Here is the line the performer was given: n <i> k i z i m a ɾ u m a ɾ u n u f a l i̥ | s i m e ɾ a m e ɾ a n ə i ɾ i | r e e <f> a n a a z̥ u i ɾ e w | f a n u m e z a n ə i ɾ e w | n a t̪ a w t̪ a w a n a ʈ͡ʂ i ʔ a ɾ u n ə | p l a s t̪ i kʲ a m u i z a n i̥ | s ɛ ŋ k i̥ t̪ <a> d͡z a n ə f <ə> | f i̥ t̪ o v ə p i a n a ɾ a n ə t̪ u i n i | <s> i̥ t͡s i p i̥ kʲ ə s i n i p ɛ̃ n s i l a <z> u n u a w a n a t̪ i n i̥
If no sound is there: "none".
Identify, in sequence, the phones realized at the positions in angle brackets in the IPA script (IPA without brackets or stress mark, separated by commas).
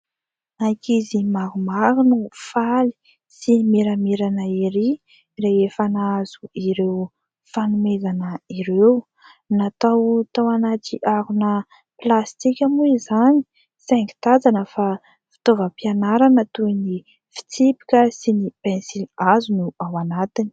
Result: a, f, a, a, f, z